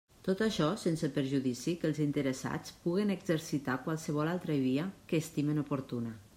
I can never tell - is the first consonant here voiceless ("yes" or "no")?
yes